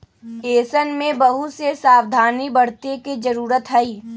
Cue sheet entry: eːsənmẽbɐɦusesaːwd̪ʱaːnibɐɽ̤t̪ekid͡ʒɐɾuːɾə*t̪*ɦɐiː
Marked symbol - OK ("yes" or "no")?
yes